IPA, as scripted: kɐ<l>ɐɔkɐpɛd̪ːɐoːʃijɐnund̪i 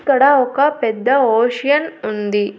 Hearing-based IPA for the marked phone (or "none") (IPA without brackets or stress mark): ɽ